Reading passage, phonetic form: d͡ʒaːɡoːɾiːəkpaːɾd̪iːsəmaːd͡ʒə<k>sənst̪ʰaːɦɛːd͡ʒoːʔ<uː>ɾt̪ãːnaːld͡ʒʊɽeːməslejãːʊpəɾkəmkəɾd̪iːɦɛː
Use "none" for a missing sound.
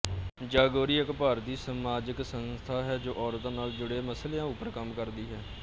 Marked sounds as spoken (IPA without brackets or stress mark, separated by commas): k, ɔː